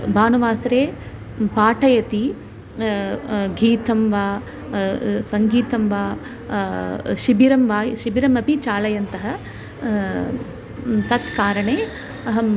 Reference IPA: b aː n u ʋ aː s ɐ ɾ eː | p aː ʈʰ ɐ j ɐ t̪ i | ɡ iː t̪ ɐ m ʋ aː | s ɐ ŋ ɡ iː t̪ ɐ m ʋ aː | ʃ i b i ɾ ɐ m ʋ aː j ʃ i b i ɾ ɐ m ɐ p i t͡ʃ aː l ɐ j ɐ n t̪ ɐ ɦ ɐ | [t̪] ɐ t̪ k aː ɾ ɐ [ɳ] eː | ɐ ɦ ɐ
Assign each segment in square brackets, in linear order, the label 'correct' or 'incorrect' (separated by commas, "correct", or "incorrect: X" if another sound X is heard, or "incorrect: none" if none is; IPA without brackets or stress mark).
correct, correct